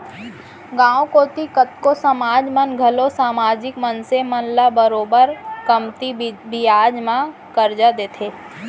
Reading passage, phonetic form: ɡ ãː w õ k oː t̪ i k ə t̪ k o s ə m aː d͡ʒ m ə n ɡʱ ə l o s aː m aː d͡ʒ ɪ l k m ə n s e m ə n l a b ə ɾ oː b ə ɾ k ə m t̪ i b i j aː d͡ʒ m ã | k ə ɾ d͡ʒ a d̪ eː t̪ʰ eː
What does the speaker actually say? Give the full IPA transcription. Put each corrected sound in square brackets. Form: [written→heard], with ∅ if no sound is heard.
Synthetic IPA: ɡ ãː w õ k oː t̪ i k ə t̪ k o s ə m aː d͡ʒ m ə n ɡʱ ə l o s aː m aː d͡ʒ ɪ [l→∅] k m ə n s e m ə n l a b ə ɾ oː b ə ɾ k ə m t̪ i b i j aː d͡ʒ m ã | k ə ɾ d͡ʒ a d̪ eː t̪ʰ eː